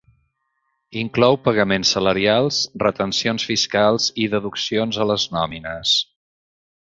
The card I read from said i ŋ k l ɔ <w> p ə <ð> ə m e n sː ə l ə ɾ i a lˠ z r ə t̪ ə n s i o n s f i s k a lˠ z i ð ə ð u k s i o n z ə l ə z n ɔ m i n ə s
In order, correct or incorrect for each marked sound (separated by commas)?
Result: correct, incorrect